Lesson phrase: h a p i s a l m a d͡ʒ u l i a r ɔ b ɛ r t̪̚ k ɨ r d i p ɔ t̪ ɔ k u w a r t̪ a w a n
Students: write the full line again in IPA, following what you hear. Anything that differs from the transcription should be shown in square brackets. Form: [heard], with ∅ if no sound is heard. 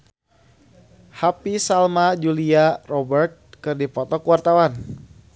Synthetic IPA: h a p i s a l m a d͡ʒ u l i a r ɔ b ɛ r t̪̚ k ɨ r d i p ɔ t̪ ɔ k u w a r t̪ a w a n